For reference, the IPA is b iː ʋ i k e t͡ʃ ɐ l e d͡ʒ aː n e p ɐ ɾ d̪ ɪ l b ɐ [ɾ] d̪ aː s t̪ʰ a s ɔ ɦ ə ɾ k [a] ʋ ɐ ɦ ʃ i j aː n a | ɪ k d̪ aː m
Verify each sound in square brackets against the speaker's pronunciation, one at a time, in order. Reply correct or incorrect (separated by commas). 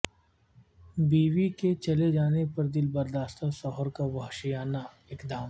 correct, correct